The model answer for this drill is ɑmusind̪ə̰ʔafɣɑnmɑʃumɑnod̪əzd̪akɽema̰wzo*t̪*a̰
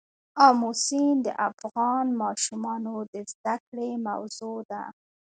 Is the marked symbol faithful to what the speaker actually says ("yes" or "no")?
no